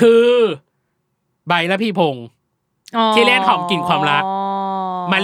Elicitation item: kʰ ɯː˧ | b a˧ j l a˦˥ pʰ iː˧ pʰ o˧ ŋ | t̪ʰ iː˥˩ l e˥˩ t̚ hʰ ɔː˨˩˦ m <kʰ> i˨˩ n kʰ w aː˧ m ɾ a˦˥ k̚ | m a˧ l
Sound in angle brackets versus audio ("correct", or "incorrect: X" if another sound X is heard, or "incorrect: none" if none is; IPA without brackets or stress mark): incorrect: k